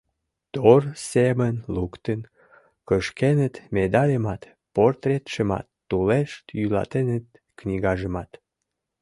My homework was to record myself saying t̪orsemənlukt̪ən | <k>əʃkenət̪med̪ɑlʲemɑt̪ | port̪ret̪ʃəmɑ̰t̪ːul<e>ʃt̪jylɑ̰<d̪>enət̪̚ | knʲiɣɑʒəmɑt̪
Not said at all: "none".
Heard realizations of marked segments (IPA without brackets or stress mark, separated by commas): k, e, t̪